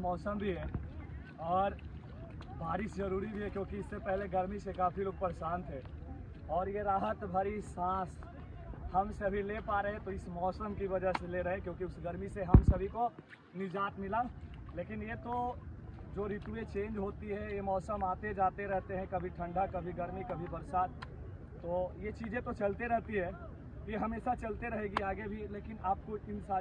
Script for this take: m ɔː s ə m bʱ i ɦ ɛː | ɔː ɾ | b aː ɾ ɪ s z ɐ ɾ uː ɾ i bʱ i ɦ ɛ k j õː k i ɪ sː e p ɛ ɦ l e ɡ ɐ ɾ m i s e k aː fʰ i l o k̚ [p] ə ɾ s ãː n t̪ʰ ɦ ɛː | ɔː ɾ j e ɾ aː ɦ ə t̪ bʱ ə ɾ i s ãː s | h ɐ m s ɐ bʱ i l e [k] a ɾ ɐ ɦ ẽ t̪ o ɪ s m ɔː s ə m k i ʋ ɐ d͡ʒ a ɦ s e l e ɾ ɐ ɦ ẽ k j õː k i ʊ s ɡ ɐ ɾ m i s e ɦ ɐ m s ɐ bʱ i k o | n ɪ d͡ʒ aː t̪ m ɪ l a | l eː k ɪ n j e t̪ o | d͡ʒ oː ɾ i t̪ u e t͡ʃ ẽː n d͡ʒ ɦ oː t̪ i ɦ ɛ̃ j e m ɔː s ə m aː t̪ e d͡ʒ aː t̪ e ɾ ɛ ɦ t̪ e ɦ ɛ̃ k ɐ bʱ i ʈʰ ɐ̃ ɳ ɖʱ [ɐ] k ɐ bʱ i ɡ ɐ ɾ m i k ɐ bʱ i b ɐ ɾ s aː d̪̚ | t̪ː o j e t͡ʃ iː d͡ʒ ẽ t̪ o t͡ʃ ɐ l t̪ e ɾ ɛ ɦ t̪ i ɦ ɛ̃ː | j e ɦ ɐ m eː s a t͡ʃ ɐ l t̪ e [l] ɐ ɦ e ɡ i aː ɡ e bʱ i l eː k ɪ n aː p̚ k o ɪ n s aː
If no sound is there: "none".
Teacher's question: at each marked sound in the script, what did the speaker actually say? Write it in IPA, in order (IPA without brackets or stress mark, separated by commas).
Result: p, p, a, ɾ